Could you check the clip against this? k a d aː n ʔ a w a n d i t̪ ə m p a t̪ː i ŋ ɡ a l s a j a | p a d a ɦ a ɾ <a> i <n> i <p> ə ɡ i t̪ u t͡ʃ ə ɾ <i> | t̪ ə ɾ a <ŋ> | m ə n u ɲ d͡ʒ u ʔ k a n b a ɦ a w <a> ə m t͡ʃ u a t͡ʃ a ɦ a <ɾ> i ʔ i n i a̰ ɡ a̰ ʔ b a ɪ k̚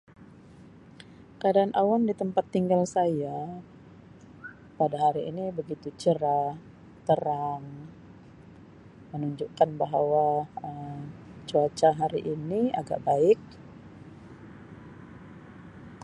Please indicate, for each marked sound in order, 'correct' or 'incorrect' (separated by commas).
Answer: incorrect, correct, incorrect, incorrect, correct, correct, correct